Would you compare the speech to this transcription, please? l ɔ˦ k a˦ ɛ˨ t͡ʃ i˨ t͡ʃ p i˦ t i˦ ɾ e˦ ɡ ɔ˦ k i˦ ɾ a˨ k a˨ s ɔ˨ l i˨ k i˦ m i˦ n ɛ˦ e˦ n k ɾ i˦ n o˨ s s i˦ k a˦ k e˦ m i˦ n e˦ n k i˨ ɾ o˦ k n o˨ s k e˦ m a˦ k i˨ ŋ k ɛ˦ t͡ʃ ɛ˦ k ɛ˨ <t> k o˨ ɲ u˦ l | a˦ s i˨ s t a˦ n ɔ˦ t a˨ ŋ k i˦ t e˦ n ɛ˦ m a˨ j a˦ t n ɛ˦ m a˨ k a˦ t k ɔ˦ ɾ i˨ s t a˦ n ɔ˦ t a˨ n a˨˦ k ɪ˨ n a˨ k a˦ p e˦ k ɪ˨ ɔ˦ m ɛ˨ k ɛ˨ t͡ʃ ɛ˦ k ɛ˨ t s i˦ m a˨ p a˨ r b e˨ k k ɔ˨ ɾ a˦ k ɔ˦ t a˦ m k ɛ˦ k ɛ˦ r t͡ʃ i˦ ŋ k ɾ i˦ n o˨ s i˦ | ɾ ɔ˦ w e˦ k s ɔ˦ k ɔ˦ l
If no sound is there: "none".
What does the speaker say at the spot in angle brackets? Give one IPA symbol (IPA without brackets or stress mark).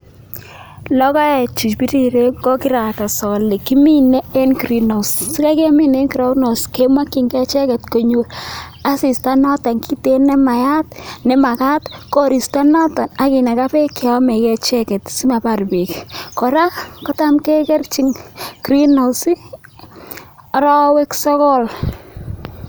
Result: t